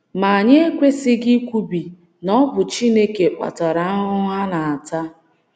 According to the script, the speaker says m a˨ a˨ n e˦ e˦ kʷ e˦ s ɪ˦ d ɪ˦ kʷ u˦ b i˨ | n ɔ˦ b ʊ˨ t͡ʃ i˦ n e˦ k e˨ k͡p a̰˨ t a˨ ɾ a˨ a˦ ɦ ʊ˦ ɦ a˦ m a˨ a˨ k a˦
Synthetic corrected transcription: m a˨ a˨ ɲ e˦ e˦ kʷ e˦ s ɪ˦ ɡ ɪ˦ kʷ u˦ b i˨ | n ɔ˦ b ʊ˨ t͡ʃ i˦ n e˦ k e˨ k͡p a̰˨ t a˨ ɾ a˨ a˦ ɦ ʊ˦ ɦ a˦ n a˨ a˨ t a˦